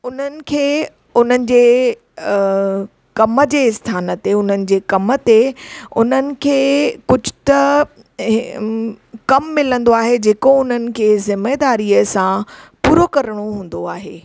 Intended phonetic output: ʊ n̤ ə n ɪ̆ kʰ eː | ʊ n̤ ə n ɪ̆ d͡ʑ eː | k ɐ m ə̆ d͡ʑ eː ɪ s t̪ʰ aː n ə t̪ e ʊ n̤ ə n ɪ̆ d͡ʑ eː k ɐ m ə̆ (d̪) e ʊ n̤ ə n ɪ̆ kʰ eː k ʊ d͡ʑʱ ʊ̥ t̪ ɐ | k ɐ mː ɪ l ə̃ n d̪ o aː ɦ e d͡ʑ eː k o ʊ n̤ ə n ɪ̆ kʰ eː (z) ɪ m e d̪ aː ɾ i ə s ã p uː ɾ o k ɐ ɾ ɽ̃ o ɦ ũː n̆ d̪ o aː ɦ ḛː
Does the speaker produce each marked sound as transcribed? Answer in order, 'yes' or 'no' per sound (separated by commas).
no, yes